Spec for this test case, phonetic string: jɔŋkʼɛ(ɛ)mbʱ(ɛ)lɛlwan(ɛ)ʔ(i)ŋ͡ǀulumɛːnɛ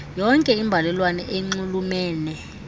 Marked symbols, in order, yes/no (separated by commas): no, no, yes, no